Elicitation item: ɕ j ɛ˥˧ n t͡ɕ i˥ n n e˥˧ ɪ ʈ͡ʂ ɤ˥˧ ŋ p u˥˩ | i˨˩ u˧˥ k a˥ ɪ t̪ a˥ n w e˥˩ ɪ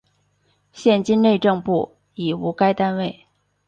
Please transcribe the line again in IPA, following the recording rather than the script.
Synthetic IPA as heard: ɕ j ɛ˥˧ n t͡ɕ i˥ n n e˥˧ ɪ ʈ͡ʂ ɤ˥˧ ŋ p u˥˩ | i˨˩ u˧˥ k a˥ ɪ t̪ a˥ n w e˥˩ ɪ